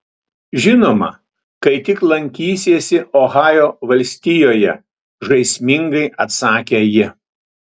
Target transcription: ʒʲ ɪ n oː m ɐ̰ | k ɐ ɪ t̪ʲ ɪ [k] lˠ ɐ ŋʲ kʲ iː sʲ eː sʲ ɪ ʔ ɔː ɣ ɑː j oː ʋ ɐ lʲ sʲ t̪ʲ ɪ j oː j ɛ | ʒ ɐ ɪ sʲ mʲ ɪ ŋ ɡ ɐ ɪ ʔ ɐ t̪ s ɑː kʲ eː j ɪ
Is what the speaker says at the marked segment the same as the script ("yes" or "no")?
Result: yes